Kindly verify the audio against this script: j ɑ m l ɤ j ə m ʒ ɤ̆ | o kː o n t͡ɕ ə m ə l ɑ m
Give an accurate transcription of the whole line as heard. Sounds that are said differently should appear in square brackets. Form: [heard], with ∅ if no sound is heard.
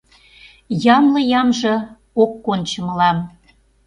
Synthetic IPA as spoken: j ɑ m l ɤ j [ɑ] m ʒ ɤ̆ | o kː o n t͡ɕ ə m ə l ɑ m